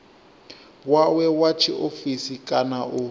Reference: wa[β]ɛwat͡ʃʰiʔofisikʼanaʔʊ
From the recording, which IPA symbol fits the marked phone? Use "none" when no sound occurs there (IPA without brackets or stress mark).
w